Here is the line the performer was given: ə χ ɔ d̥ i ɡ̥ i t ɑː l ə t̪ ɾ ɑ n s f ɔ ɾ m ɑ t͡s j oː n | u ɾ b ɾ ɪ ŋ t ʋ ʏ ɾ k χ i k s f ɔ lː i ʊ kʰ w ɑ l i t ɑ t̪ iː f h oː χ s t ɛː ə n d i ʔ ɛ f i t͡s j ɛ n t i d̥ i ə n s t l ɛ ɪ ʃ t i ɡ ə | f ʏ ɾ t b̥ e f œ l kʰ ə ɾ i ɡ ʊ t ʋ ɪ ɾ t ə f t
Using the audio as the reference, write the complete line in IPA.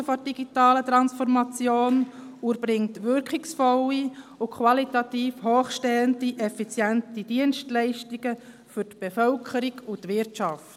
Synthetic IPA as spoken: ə f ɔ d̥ i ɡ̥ i t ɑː l ə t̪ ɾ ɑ n s f ɔ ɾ m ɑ t͡s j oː n | u ɾ b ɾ ɪ ŋ t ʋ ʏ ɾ k χ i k s f ɔ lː i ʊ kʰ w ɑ l i t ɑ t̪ iː f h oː χ ʃ t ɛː ə n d i ʔ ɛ f i t͡s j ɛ n t i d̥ i ə n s t l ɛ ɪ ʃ t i ɡ ə | f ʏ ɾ t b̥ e f œ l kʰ ə ɾ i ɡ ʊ t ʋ ɪ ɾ t ɑ f t